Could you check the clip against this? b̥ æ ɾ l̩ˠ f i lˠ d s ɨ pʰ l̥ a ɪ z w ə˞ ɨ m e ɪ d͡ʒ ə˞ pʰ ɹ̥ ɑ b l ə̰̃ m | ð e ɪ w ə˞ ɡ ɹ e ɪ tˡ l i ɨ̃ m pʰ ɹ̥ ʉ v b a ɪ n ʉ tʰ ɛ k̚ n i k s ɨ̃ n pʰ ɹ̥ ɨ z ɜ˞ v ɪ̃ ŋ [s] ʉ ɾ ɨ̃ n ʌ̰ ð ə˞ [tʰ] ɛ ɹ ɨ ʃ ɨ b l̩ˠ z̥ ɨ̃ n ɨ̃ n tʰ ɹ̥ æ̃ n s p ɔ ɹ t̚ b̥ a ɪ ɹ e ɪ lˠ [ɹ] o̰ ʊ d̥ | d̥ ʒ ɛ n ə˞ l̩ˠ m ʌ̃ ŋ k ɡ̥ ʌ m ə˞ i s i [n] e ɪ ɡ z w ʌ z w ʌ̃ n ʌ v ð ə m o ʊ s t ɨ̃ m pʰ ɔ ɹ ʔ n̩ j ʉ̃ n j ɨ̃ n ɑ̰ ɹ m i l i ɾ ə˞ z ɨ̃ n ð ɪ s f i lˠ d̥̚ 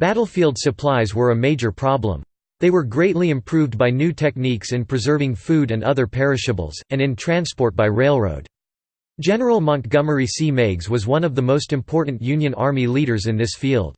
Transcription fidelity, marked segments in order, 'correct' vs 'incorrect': incorrect: f, incorrect: pʰ, correct, incorrect: m

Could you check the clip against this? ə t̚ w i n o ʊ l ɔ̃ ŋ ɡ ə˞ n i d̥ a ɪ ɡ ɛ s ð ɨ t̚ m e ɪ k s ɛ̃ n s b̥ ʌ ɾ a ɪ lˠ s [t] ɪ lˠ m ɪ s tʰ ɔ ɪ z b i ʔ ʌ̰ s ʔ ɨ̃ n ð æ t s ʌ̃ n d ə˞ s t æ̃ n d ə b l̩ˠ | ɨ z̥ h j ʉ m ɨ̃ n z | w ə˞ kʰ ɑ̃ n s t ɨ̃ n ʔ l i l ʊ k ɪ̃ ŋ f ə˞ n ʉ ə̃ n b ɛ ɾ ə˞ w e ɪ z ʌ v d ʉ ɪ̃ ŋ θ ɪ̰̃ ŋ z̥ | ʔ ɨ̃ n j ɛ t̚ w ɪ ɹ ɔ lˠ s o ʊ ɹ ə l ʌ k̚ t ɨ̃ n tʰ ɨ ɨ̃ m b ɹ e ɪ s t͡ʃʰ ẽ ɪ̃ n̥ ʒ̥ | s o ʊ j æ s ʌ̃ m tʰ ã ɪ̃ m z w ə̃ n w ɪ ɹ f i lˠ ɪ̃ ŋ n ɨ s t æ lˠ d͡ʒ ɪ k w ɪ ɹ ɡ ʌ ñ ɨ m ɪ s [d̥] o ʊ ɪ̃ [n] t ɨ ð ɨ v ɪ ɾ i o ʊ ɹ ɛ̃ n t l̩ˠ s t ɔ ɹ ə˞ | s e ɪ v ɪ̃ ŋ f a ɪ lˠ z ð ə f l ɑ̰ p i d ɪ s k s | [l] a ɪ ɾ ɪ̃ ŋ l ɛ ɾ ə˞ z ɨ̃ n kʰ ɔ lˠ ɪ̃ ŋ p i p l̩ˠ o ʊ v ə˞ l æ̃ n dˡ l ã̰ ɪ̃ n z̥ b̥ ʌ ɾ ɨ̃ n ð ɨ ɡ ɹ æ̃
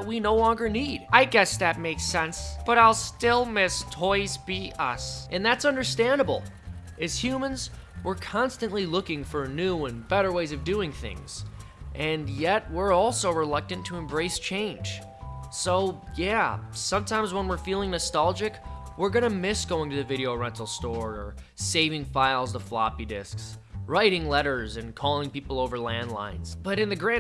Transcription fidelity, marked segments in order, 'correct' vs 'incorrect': correct, incorrect: ɡ̥, incorrect: ŋ, incorrect: ɹ

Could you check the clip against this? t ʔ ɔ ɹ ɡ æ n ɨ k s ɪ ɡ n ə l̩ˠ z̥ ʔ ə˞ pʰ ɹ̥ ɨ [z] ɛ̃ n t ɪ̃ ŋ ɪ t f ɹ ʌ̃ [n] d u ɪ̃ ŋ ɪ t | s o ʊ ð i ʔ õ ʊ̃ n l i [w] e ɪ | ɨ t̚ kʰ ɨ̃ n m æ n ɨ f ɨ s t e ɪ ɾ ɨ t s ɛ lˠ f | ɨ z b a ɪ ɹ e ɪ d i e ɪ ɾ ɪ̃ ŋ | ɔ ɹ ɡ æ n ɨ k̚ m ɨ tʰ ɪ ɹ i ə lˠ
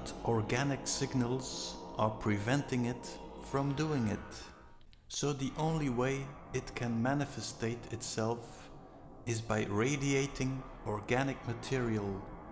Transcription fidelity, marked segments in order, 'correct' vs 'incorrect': incorrect: v, incorrect: m, correct

